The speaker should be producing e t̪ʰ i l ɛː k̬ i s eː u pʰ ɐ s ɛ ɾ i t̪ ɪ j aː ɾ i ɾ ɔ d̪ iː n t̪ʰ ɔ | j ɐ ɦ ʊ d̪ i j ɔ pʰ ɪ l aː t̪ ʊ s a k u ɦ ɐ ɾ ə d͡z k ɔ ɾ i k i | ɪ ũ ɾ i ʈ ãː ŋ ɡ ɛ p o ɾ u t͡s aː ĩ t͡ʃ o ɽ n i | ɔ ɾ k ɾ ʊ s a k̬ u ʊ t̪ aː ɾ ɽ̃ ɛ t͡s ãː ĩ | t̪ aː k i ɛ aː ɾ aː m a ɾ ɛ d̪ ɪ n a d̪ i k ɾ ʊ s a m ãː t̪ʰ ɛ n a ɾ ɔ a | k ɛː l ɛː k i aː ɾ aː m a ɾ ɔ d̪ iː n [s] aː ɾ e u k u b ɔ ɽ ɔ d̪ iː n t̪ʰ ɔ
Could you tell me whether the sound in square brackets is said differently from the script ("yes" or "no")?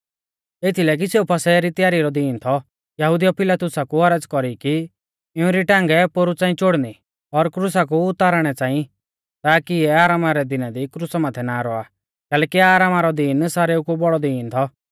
no